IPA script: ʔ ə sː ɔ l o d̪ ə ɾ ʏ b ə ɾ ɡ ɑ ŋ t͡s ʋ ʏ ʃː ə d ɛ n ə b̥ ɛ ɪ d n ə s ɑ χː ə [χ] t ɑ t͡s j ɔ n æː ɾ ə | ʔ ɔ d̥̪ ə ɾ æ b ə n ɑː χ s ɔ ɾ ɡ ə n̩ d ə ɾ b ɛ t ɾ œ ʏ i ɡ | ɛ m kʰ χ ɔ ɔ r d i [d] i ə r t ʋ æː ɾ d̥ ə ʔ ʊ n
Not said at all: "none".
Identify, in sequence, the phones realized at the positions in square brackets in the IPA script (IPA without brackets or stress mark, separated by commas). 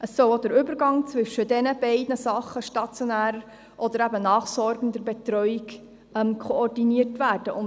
ʃ, n